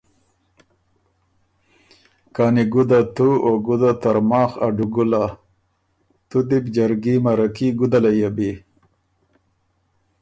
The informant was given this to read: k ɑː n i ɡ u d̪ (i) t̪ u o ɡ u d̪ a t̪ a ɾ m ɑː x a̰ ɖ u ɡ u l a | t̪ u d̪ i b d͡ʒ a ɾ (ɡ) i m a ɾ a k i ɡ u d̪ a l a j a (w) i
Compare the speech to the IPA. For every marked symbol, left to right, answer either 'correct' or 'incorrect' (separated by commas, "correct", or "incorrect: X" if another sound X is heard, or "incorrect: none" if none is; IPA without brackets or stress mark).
incorrect: a, correct, incorrect: b